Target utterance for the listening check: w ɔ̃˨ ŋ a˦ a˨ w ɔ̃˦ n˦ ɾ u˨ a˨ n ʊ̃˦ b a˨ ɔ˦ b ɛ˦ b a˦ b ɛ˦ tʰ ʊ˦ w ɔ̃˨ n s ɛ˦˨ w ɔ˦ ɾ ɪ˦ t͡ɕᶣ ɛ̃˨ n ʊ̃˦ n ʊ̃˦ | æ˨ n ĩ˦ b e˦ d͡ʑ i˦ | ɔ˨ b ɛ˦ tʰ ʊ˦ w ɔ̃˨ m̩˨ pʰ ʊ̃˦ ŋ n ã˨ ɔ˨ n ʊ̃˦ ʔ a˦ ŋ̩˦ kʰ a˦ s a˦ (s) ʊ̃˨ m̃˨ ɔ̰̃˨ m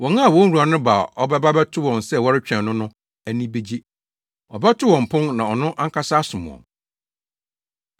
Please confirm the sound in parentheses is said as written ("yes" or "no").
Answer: yes